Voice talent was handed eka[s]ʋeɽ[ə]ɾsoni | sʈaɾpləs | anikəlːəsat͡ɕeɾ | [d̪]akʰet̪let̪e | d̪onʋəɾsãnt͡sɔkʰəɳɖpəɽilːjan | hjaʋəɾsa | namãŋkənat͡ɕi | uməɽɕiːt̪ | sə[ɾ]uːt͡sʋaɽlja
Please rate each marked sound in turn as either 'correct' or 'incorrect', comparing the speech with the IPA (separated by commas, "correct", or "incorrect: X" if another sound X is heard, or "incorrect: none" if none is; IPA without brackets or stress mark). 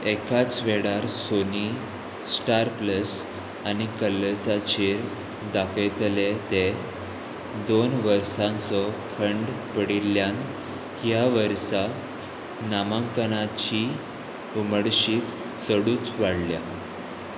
incorrect: t͡s, incorrect: a, correct, incorrect: ɽ